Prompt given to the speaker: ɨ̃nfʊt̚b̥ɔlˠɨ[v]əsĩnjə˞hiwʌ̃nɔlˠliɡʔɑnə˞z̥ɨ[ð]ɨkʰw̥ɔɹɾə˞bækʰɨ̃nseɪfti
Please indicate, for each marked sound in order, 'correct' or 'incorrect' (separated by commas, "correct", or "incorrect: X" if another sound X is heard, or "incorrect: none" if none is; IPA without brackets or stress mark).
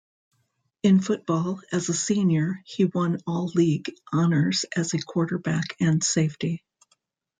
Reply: incorrect: z, incorrect: z